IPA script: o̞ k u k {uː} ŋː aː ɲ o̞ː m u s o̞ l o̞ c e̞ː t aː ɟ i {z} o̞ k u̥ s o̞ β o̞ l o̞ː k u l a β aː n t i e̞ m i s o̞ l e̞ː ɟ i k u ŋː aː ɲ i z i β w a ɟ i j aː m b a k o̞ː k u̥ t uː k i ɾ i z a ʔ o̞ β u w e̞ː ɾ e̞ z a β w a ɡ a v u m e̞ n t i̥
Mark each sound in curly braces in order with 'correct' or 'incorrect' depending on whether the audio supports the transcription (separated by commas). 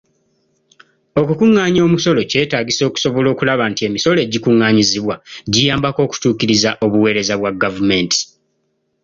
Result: incorrect, incorrect